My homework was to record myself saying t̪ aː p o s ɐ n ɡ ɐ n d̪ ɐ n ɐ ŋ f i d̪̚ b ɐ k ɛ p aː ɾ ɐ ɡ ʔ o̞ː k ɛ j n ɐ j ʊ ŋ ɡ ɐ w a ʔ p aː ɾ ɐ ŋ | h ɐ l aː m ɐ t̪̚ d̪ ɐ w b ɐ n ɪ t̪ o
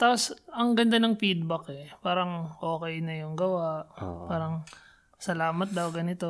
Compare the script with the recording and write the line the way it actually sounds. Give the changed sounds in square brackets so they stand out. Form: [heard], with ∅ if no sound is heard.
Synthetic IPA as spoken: t̪ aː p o s ɐ [ŋ] ɡ ɐ n d̪ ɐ n ɐ ŋ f i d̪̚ b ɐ k ɛ p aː ɾ ɐ [ŋ] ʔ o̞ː k ɛ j n ɐ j ʊ ŋ ɡ ɐ w a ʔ p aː ɾ ɐ ŋ | [s] ɐ l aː m ɐ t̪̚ d̪ ɐ w [ɡ] ɐ n ɪ t̪ o